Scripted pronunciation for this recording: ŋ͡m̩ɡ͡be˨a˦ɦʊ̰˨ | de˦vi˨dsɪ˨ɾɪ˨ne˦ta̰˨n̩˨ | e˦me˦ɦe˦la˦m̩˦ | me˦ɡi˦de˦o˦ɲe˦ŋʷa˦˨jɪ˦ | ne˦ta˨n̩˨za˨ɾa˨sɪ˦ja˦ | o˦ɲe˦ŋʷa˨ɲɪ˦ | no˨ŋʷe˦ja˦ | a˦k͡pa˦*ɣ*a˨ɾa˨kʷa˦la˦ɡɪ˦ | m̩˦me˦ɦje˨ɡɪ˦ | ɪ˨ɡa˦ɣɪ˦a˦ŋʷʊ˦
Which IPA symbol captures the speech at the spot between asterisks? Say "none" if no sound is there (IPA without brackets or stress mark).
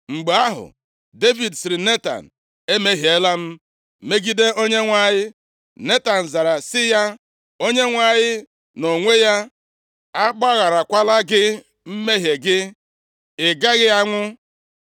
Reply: ɣ